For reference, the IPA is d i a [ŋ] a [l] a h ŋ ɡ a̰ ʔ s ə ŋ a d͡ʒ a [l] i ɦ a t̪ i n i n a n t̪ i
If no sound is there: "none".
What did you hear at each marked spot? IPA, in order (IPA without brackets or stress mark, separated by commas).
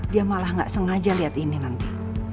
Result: m, l, l